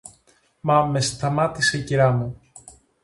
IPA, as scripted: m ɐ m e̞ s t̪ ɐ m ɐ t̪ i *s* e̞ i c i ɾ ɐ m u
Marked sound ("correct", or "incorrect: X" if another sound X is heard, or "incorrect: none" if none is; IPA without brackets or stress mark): correct